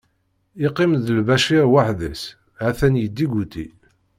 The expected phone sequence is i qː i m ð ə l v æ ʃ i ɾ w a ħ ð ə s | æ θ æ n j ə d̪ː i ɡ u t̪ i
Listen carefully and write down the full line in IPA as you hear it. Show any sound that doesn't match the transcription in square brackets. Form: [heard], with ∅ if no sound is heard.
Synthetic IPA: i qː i m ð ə l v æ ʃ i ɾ w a ħ ð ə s | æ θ æ n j ə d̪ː i ɡ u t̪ i